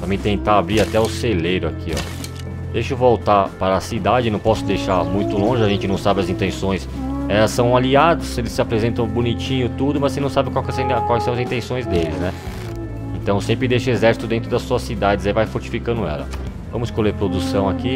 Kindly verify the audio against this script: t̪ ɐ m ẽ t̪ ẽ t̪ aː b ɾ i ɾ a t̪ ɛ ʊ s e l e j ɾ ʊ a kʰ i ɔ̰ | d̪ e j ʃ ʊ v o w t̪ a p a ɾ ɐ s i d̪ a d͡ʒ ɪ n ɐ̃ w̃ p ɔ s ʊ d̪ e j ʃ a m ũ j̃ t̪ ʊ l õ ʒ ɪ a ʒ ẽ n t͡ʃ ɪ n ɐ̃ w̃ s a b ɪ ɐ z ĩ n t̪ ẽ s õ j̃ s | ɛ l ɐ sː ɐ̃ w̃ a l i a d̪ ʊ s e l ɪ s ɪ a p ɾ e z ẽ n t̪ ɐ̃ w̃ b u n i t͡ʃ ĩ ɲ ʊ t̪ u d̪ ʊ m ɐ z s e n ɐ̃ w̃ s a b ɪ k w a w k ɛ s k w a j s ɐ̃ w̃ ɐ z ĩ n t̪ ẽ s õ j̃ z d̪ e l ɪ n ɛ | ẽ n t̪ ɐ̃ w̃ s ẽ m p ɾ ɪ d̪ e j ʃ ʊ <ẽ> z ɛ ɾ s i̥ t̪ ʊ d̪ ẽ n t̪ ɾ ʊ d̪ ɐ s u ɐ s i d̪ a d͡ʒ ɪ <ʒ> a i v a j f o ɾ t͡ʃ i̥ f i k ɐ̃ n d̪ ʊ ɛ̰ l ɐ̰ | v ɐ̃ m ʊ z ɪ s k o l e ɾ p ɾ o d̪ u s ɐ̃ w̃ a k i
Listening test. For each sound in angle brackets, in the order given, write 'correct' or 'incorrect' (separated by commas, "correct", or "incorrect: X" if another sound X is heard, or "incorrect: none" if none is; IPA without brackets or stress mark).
incorrect: e, incorrect: z